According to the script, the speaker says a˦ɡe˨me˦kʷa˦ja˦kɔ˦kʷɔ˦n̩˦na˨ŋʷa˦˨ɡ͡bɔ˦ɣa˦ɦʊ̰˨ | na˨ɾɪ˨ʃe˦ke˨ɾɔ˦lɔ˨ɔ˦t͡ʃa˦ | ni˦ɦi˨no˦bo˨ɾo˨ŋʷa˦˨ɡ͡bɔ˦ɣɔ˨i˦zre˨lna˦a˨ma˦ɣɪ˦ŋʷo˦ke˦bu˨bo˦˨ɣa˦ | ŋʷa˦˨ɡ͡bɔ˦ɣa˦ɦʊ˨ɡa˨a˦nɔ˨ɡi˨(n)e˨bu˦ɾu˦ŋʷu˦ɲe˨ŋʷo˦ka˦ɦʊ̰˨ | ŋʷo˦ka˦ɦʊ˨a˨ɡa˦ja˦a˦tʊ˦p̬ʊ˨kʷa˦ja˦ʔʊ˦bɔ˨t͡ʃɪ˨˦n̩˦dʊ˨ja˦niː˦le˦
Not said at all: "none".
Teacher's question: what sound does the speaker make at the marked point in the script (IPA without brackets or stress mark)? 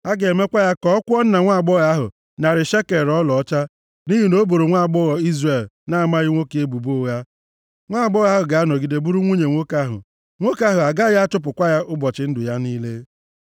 d